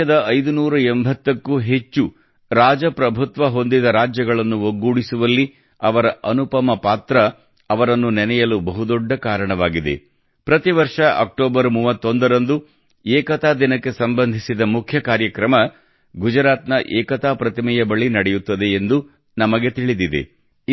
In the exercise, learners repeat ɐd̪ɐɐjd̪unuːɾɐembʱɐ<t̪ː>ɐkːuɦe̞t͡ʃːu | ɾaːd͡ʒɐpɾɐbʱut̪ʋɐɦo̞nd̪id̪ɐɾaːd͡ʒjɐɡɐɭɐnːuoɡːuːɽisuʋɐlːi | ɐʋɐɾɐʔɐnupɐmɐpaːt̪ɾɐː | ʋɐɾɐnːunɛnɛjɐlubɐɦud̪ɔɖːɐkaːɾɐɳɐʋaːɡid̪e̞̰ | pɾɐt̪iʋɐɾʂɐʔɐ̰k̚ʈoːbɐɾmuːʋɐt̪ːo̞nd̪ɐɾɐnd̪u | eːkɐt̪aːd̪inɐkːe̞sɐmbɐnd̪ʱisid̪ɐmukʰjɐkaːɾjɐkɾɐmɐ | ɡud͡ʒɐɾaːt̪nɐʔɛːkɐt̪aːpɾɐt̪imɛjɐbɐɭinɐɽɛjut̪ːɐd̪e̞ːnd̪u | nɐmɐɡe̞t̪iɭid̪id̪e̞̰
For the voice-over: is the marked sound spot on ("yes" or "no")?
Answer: yes